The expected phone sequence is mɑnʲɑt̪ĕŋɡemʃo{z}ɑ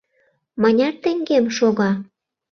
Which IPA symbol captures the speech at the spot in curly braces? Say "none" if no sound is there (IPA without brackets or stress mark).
ɣ